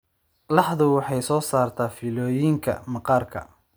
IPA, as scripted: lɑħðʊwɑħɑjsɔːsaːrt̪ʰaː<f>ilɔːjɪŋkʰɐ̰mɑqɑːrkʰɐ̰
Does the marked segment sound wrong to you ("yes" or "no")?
no